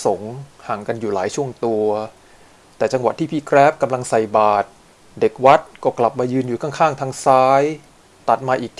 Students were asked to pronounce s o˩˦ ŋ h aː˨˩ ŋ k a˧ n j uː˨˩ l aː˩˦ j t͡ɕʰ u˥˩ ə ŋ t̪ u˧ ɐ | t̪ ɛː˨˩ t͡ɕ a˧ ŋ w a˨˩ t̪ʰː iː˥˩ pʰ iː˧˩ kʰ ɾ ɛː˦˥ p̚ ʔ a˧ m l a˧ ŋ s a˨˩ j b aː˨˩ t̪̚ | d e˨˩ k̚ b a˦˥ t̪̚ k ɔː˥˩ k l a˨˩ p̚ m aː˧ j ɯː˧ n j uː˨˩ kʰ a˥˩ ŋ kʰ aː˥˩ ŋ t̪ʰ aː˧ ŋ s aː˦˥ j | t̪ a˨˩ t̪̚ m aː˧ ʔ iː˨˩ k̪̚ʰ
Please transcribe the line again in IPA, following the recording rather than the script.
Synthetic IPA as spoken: s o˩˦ ŋ h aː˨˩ ŋ k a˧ n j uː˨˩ l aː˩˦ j t͡ɕʰ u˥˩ ə ŋ t̪ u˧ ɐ | t̪ ɛː˨˩ t͡ɕ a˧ ŋ w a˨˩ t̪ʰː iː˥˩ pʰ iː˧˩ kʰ ɾ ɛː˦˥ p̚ k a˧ m l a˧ ŋ s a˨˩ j b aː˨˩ t̪̚ | d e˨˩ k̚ w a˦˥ t̪̚ k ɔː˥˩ k l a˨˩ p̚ m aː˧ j ɯː˧ n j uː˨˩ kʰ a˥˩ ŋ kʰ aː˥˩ ŋ t̪ʰ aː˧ ŋ s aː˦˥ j | t̪ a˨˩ t̪̚ m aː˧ ʔ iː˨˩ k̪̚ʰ